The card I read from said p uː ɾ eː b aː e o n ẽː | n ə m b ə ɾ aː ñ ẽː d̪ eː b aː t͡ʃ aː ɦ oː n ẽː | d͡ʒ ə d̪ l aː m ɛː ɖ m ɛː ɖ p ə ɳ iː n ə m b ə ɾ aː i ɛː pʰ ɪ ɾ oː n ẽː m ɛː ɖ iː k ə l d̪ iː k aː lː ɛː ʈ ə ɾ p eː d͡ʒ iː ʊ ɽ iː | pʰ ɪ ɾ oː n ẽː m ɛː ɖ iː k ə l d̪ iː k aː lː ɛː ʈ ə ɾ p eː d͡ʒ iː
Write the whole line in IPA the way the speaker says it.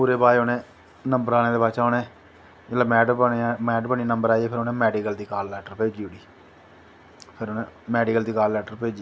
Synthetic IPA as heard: p uː ɾ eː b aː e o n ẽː | n ə m b ə ɾ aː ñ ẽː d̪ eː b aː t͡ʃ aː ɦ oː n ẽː | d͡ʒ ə l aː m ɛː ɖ m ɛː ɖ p ə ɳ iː n ə m b ə ɾ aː i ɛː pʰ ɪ ɾ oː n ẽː m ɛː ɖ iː k ə l d̪ iː k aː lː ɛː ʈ ə ɾ p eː d͡ʒ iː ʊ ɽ iː | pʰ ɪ ɾ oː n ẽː m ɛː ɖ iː k ə l d̪ iː k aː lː ɛː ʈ ə ɾ p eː d͡ʒ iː